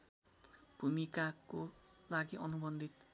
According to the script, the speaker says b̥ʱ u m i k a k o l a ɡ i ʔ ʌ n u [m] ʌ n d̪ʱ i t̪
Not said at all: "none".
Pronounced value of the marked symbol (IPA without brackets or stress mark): b